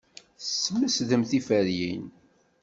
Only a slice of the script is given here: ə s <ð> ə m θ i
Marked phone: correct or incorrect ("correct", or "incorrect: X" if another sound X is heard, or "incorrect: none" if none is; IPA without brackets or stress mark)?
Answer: correct